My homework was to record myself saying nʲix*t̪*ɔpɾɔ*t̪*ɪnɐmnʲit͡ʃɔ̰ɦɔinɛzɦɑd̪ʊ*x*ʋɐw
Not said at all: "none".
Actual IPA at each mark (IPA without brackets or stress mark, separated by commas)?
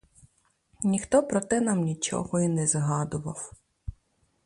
t̪, t̪, none